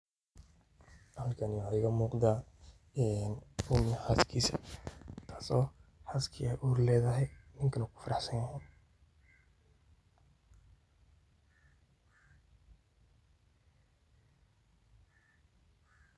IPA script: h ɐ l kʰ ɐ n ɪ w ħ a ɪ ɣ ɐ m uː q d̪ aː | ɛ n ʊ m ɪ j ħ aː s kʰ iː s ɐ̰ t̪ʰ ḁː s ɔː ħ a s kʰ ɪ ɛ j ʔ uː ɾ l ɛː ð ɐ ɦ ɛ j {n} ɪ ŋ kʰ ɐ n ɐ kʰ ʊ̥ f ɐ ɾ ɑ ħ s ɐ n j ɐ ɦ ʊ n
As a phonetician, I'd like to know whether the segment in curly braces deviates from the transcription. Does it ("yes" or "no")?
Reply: no